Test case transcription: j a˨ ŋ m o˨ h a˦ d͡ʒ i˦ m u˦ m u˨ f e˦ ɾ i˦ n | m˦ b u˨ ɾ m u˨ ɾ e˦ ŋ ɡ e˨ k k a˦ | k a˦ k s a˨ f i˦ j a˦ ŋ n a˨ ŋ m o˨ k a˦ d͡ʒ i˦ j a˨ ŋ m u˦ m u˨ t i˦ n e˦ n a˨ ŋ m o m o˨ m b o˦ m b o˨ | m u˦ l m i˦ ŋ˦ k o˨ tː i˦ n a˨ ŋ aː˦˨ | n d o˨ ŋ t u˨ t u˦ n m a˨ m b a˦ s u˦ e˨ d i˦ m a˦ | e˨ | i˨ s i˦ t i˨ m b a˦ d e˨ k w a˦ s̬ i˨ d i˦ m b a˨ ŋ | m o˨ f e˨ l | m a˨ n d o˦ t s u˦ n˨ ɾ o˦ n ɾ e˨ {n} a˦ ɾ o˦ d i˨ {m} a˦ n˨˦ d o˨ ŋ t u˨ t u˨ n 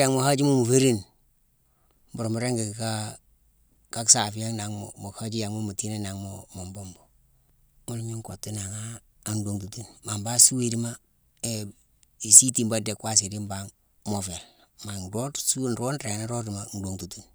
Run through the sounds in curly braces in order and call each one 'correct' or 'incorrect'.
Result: correct, correct

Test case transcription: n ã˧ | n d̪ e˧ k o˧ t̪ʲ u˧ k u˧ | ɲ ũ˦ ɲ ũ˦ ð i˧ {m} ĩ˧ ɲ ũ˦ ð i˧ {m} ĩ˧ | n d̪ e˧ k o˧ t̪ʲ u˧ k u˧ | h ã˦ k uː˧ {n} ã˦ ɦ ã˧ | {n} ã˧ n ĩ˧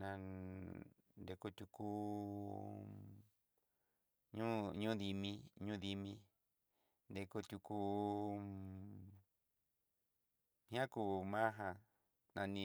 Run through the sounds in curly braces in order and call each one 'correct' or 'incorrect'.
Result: correct, correct, incorrect, correct

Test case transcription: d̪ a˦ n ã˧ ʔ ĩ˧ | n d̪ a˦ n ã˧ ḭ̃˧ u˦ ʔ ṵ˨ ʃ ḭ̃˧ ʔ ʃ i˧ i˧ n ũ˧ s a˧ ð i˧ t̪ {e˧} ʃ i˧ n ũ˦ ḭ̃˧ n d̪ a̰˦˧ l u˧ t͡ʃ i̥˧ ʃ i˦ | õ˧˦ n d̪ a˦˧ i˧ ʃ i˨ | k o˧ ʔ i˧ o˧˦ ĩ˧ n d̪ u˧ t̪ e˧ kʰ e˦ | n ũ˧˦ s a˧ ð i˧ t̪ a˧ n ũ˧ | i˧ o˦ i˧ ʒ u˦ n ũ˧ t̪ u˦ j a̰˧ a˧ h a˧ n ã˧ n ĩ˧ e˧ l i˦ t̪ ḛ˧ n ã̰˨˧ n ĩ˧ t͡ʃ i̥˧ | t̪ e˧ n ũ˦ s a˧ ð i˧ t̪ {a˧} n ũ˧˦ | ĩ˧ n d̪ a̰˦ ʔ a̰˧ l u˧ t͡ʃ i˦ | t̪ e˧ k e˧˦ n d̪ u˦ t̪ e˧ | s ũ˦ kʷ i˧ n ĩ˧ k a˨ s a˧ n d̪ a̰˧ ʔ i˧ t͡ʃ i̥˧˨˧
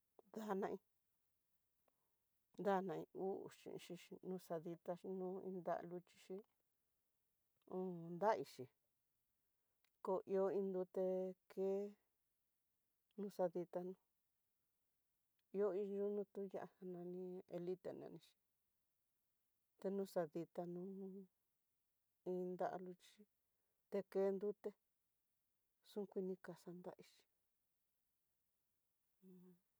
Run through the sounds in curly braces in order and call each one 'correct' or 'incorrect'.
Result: incorrect, correct

